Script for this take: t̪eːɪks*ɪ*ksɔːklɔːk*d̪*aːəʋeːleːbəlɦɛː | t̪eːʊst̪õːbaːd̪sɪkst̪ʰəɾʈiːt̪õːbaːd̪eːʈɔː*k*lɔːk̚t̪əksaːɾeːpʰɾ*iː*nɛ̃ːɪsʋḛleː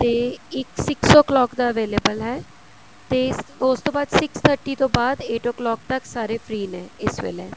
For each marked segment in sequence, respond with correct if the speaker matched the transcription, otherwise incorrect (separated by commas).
correct, correct, correct, correct